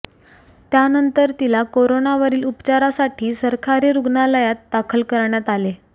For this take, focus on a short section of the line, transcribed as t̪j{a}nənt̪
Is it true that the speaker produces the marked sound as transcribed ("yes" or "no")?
yes